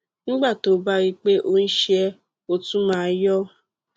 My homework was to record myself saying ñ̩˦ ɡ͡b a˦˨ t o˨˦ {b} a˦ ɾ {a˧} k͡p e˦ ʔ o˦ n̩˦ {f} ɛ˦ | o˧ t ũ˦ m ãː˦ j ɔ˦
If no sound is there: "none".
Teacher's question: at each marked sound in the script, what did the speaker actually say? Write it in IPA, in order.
b, i˧, ʃ

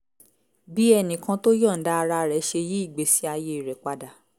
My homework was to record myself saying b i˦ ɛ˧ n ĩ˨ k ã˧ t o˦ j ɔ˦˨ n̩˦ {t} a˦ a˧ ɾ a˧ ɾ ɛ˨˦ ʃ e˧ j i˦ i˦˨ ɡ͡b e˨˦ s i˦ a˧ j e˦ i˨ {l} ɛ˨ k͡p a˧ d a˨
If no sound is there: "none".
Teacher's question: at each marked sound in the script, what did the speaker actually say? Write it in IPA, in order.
d, ɾ

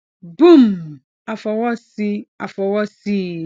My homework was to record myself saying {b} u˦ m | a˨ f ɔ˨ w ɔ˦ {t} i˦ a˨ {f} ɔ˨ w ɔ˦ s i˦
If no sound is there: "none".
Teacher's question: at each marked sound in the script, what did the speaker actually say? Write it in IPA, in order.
b, s, f

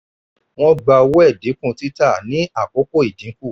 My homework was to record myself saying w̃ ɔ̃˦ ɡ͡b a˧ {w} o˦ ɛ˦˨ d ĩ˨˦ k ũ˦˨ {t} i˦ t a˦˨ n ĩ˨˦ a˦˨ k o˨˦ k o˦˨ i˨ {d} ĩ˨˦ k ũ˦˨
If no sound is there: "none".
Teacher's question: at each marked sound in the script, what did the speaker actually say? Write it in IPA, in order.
w, t, d

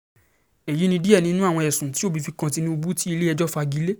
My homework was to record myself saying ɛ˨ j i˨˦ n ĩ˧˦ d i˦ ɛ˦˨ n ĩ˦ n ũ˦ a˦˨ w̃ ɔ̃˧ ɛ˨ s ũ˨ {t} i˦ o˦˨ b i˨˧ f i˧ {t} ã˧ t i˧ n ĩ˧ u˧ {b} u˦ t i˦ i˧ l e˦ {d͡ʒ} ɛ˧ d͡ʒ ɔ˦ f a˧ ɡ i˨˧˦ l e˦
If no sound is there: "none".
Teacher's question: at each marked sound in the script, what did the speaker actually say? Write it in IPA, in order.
t, k, b, none

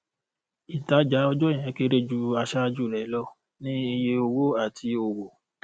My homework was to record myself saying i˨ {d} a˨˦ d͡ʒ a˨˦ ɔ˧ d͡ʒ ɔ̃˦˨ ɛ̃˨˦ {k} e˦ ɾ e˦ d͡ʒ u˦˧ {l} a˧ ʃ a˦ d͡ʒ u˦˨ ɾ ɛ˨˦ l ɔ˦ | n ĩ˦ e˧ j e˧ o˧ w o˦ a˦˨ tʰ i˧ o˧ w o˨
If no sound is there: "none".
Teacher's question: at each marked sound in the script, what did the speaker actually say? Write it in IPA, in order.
t, k, none

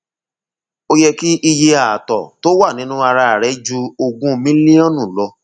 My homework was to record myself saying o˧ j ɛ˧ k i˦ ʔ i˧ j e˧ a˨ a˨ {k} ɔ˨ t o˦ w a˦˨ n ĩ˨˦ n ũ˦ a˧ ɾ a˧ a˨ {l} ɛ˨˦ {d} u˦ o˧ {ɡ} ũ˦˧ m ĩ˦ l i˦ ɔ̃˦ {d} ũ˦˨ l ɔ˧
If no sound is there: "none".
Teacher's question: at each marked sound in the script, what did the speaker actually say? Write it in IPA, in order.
t, ɾ, d͡ʒ, ɡ, n

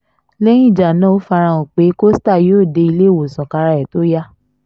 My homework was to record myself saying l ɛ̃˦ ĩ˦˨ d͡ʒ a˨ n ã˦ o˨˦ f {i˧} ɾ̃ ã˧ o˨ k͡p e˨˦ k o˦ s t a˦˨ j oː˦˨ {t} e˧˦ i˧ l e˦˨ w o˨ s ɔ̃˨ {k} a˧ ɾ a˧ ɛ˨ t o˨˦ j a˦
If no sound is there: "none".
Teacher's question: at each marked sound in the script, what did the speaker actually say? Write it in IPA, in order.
a˧, d, k

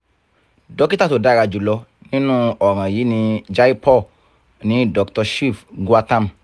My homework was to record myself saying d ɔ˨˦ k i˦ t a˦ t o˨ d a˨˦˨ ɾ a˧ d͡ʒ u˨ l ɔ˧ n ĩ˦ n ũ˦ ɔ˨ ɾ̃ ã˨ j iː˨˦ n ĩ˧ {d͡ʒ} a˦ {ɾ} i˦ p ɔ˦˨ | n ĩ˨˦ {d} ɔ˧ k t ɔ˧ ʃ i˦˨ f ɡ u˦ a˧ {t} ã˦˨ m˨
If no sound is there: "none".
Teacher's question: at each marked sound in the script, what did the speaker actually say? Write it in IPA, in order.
d͡ʒ, none, d, t

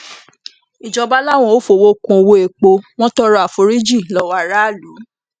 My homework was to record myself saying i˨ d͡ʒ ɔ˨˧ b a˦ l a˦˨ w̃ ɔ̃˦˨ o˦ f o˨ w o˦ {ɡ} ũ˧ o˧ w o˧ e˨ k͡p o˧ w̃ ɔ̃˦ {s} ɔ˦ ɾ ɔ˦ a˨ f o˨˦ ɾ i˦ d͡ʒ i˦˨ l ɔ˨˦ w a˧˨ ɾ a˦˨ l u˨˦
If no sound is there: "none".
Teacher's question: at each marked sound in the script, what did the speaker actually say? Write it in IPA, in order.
k, t

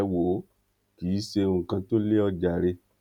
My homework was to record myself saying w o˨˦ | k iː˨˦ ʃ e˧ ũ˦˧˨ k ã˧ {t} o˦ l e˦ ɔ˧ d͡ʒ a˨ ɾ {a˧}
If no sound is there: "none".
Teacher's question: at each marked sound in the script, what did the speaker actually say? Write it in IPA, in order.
t, e˧

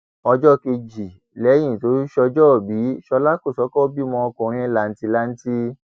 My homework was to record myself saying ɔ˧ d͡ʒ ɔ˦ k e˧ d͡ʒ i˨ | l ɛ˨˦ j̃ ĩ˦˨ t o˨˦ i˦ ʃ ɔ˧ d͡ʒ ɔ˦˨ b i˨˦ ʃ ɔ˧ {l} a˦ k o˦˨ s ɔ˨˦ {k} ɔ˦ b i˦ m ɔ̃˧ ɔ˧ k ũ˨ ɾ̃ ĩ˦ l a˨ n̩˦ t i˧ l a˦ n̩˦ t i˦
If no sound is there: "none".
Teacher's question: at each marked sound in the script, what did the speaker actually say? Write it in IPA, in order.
l, k

